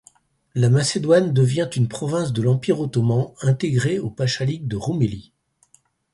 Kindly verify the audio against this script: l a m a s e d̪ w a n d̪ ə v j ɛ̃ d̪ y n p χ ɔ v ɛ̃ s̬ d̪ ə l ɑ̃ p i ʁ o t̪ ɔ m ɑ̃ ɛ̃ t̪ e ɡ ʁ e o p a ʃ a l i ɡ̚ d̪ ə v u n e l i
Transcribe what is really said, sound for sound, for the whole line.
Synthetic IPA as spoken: l a m a s e d̪ w a n d̪ ə v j ɛ̃ t̪ y n p χ ɔ v ɛ̃ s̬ d̪ ə l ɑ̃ p i ʁ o t̪ ɔ m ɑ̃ ɛ̃ t̪ e ɡ ʁ e o p a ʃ a l i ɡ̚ d̪ ə ʁ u m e l i